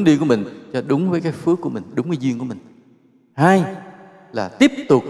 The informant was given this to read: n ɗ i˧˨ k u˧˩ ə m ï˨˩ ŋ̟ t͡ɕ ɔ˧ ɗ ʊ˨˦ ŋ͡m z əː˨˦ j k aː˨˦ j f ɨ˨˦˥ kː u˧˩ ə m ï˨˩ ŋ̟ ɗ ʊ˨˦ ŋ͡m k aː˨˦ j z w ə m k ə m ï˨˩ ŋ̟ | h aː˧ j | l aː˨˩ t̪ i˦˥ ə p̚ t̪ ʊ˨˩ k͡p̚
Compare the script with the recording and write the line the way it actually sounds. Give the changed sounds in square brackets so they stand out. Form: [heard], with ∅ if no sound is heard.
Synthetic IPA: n ɗ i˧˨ k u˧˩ ə m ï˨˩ ŋ̟ t͡ɕ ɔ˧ ɗ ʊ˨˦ ŋ͡m [v] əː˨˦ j k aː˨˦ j f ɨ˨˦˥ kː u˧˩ ə m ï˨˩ ŋ̟ ɗ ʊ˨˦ ŋ͡m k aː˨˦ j z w ə [ŋ] k ə m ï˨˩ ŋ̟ | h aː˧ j | l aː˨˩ t̪ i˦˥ ə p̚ t̪ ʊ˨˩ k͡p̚